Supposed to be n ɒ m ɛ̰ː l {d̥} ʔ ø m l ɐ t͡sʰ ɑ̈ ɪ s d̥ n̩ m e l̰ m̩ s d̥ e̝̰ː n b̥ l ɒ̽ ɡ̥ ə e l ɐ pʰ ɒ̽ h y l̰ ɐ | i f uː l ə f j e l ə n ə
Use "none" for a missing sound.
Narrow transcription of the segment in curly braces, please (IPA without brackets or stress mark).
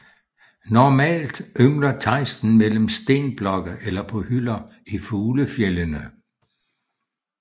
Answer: d̥